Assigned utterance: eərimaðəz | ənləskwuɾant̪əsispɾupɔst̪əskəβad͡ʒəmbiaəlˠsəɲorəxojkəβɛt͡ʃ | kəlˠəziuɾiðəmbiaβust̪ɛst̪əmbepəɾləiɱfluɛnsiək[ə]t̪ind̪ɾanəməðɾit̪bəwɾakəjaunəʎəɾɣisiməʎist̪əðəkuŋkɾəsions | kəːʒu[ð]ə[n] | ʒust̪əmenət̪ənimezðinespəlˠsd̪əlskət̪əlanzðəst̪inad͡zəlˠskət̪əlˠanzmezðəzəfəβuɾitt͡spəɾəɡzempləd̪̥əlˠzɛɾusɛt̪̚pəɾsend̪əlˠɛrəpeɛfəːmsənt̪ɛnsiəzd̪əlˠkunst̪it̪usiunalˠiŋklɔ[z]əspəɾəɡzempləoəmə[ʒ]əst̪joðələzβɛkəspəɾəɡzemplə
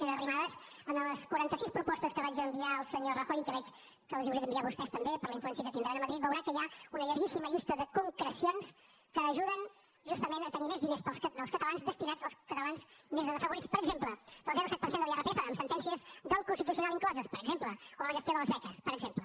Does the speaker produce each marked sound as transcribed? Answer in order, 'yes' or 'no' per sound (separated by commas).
yes, yes, yes, yes, yes